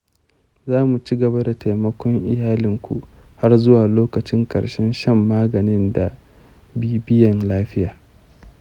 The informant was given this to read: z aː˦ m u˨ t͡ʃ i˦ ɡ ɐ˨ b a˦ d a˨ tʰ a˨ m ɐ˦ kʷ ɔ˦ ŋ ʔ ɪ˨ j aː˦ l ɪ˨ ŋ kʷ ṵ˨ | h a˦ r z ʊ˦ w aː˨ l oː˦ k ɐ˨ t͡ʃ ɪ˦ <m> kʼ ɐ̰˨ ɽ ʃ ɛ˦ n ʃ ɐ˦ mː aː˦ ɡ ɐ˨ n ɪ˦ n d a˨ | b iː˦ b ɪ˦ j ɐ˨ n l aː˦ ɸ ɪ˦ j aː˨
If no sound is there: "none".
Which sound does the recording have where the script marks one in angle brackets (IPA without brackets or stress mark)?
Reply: ŋ